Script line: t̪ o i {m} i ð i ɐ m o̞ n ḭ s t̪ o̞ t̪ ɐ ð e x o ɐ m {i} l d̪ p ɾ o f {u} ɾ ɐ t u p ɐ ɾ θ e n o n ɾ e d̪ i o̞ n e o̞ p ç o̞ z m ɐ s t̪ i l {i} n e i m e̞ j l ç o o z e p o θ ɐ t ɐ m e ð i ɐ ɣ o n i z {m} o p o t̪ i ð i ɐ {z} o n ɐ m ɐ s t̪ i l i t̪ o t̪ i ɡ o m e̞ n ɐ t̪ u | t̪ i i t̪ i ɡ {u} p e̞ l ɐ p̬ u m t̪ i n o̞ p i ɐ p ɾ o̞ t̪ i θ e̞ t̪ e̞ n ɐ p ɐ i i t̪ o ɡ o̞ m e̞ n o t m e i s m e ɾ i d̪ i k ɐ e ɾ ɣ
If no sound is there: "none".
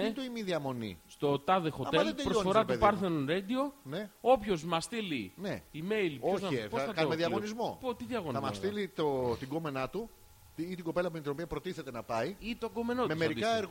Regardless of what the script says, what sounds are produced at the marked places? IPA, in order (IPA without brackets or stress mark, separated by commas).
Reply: m, e, o, i, m, ɣ, o